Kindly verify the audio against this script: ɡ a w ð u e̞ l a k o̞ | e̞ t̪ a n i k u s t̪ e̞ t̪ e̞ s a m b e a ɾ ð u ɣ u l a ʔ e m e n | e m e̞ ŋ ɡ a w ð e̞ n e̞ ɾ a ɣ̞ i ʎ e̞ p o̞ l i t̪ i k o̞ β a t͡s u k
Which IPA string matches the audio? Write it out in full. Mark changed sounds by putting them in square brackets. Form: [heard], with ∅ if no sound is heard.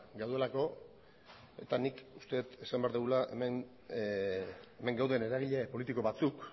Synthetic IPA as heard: ɡ a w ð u e̞ l a k o̞ | e̞ t̪ a n i k u s t̪ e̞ t̪ e̞ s a m b e a ɾ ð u ɣ u l a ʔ e m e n | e m e̞ ŋ ɡ a w ð e̞ n e̞ ɾ a ɣ̞ i ʎ e̞ p o̞ l i t̪ i k o̞ β a t͡s u k